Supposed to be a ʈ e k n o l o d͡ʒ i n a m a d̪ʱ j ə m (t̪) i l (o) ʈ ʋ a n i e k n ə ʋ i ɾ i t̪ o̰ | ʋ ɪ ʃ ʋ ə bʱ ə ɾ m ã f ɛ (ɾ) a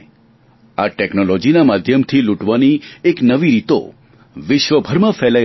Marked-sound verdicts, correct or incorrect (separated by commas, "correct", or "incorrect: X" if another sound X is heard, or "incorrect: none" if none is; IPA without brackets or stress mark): incorrect: t̪ʰ, incorrect: u, incorrect: l